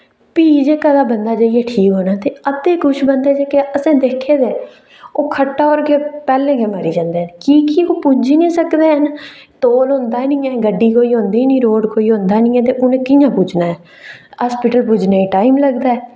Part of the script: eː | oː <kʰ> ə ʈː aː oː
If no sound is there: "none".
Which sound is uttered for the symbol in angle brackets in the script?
kʰ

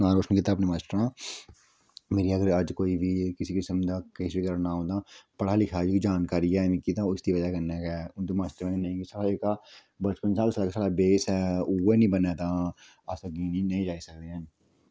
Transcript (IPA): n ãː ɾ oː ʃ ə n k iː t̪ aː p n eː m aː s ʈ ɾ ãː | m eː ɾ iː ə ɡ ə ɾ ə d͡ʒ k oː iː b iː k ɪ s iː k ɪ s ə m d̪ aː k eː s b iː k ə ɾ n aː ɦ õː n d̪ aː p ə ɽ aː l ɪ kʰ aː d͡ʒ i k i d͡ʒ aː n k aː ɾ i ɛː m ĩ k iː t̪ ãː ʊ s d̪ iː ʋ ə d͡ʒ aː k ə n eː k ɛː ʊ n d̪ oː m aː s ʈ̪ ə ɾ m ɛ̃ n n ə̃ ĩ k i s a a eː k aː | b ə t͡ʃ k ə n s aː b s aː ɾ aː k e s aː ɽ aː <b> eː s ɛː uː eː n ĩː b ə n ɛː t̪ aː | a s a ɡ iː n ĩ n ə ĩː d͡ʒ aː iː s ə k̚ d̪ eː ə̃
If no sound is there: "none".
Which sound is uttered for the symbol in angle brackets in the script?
b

